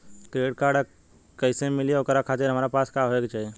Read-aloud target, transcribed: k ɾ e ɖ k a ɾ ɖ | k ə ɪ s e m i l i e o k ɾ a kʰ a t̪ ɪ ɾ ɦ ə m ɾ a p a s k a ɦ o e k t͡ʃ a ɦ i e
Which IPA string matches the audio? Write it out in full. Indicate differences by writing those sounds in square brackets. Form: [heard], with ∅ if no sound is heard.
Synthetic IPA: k ɾ e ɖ k a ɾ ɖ | k ə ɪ s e m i l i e o k ɾ a kʰ a t̪ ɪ ɾ ɦ ə m ɾ a p a s k a ɦ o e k t͡ʃ a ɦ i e